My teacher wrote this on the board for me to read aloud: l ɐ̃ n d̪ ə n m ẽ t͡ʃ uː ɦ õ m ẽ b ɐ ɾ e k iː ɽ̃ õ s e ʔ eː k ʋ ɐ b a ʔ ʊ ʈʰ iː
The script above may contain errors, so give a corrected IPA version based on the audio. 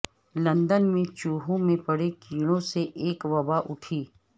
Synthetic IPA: l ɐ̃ n d̪ ə n m ẽ t͡ʃ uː ɦ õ m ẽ p ɐ ɽ e k iː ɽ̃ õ s e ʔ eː k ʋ ɐ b a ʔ ʊ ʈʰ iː